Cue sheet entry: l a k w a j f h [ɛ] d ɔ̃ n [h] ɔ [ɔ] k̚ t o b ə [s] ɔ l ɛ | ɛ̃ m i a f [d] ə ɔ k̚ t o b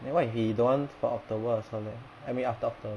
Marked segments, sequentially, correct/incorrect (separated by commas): incorrect, incorrect, correct, correct, incorrect